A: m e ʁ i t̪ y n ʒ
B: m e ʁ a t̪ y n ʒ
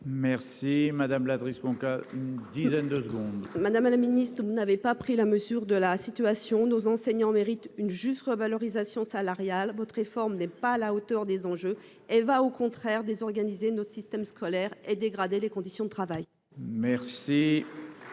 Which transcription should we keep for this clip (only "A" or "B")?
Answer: A